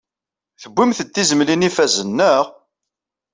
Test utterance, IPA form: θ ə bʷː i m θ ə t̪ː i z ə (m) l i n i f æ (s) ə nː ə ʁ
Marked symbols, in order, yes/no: yes, no

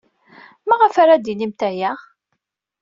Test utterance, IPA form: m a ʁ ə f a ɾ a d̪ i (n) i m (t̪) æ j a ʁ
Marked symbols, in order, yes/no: yes, yes

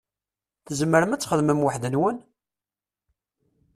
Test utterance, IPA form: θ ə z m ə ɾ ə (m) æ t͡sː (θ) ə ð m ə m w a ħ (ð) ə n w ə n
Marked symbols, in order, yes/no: yes, no, yes

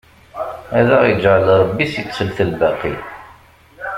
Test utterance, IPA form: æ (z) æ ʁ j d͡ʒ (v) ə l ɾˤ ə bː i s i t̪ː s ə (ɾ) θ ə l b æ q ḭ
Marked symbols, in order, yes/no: no, no, no

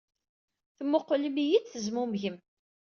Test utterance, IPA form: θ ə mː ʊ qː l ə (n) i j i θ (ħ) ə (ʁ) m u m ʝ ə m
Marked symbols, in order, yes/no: no, no, no

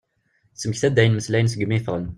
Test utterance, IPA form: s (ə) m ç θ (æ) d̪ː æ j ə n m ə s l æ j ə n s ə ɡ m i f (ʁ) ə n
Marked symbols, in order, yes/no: yes, yes, yes

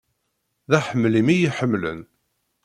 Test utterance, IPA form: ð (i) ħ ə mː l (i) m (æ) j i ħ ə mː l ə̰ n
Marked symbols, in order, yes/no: no, yes, no

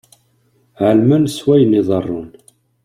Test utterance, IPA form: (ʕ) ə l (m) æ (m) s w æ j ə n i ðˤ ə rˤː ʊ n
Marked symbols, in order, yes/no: yes, yes, no

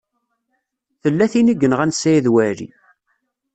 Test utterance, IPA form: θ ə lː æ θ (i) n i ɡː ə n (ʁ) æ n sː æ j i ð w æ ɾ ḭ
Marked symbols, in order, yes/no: yes, yes

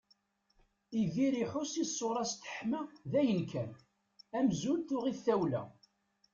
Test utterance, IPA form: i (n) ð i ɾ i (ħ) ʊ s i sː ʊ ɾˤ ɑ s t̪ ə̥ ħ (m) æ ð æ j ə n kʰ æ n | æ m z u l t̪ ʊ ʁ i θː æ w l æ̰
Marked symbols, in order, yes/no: no, yes, yes

